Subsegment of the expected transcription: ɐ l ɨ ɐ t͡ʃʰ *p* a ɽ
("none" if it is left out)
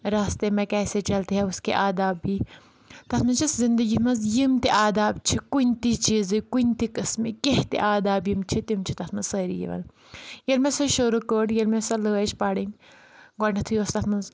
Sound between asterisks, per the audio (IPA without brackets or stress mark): p